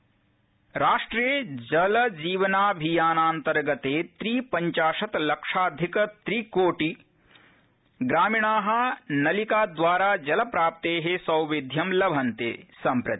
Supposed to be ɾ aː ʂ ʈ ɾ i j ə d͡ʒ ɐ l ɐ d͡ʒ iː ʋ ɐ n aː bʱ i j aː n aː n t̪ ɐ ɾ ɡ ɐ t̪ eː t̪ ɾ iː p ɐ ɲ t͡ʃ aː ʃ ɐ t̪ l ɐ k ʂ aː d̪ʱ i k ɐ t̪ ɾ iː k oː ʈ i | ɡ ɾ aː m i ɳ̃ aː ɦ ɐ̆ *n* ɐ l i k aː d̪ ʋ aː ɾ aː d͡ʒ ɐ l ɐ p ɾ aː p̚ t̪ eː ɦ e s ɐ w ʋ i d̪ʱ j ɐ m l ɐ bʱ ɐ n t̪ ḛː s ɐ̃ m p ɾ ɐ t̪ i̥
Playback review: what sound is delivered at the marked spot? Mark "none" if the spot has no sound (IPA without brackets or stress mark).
n